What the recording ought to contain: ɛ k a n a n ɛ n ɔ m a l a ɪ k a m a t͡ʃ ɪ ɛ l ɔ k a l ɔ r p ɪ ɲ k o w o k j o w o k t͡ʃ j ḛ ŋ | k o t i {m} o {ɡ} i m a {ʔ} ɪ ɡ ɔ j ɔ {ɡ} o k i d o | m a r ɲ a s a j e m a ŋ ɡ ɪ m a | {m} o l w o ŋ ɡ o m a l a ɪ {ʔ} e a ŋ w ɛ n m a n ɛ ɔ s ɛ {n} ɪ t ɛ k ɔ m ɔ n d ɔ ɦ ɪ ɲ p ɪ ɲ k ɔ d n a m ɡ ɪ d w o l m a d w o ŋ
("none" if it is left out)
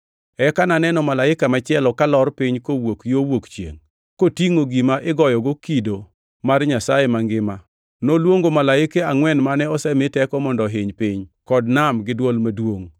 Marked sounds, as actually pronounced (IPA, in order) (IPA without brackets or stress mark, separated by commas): ŋ, ɡ, ʔ, ɡ, n, k, m